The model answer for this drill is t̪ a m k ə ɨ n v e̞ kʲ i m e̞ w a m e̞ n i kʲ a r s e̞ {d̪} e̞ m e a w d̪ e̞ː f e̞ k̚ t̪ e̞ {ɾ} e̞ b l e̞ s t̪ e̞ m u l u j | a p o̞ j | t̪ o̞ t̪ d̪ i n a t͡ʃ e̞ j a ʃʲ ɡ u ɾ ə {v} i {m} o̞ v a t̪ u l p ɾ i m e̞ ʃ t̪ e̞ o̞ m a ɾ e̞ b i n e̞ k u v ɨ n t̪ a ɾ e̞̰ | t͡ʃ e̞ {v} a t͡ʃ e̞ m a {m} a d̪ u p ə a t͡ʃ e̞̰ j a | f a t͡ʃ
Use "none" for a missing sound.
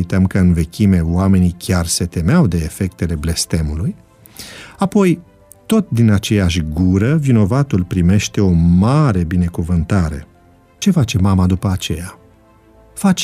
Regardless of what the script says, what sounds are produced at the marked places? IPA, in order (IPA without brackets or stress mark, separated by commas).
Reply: t̪, l, v, n, f, m